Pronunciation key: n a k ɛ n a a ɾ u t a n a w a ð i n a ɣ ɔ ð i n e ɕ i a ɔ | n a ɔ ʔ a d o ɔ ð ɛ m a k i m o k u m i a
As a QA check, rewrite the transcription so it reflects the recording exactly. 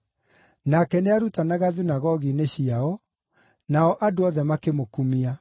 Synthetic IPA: n a k ɛ n e a ɾ u t a n a ɣ a ð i n a ɣ ɔ ɣ i n e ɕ i a ɔ | n a ɔ ʔ a d o ɔ ð ɛ m a k e m o k u m i a